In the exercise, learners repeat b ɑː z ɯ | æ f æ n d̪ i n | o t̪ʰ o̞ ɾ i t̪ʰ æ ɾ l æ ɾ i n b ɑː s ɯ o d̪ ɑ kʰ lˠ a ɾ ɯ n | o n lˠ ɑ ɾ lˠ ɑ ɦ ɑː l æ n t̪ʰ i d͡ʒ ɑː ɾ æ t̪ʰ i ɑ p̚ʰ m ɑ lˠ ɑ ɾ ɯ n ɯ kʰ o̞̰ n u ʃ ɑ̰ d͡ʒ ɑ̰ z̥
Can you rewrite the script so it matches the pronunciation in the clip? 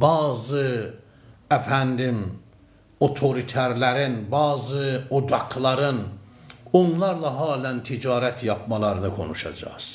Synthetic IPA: b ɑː z ɯ | æ f æ n d̪ i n | o t̪ʰ o̞ ɾ i t̪ʰ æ ɾ l æ ɾ i n b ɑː z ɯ o d̪ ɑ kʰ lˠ ɑ ɾ ɯ n | o n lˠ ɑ ɾ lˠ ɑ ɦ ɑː l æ n t̪ʰ i d͡ʒ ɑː ɾ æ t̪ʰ j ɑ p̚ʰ m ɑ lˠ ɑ ɾ ɯ n ɯ kʰ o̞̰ n u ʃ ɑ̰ d͡ʒ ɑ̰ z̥